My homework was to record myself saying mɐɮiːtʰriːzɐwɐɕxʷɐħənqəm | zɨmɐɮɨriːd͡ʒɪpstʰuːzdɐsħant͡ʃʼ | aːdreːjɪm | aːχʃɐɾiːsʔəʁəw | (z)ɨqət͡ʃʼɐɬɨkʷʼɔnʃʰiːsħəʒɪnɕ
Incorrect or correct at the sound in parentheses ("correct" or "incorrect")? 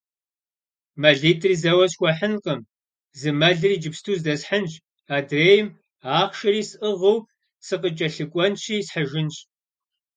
incorrect